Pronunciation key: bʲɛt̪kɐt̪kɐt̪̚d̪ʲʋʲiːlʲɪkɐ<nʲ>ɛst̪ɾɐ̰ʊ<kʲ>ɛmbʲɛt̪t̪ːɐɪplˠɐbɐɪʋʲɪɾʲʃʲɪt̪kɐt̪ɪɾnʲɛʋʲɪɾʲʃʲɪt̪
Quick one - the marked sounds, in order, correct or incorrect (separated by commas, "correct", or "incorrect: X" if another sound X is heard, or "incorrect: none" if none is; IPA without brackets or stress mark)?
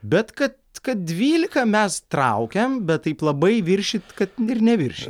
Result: incorrect: mʲ, correct